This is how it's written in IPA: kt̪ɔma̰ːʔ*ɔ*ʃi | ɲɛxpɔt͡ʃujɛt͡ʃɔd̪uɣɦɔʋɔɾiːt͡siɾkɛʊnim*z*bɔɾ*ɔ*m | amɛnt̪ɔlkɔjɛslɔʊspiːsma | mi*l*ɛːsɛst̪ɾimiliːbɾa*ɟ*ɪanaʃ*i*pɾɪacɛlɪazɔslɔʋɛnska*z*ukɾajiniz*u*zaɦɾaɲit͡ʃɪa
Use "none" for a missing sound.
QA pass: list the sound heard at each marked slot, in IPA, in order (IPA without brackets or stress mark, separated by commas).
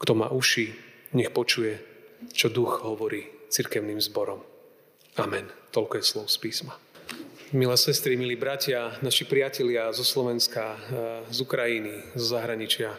u, z, ɔ, l, c, i, z, ɔ